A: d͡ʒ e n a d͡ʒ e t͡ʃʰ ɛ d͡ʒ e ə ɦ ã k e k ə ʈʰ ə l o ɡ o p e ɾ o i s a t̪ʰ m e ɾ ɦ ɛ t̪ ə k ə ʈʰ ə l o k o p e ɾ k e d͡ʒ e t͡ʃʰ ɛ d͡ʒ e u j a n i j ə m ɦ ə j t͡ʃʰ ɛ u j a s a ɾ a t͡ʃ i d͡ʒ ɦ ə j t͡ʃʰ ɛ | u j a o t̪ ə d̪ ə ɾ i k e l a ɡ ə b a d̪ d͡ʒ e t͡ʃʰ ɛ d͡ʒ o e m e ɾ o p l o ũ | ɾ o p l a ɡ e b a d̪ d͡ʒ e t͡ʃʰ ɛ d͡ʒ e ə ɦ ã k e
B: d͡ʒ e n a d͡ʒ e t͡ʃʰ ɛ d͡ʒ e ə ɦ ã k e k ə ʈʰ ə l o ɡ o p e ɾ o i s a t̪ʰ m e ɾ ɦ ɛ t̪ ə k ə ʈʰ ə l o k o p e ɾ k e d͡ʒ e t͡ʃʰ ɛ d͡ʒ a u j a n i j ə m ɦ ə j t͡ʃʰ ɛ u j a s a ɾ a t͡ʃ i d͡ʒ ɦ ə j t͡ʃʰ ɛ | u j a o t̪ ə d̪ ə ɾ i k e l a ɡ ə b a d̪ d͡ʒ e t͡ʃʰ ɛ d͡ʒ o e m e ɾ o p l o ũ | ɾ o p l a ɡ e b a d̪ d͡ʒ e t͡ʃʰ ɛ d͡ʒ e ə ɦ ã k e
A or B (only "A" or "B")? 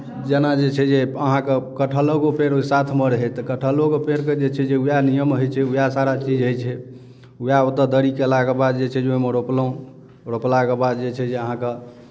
A